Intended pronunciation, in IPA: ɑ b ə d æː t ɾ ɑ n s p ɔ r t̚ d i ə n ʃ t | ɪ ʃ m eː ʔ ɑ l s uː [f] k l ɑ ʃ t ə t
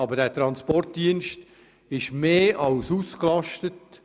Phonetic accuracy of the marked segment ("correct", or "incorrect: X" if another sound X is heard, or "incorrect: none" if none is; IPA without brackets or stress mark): incorrect: s